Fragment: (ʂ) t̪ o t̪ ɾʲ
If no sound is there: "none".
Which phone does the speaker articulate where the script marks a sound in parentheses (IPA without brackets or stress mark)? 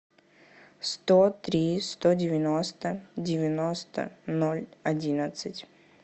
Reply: s